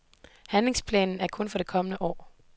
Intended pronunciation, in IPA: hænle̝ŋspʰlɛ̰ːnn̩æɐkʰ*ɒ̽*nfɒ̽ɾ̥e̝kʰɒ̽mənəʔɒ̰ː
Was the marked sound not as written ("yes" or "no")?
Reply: yes